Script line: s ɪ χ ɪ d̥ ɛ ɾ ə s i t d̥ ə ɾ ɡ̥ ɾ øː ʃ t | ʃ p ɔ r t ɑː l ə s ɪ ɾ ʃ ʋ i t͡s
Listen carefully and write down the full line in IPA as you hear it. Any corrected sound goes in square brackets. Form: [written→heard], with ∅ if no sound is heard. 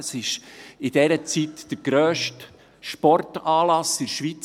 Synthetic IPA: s ɪ [χ→ʃ] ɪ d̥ ɛ ɾ ə [s→t͡s] i t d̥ ə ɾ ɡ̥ ɾ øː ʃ t | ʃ p ɔ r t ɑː l [ə→ɑ] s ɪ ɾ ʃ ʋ i t͡s